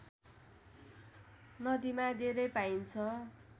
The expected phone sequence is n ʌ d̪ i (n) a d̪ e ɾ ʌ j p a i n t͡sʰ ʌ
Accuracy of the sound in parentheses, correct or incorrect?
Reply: incorrect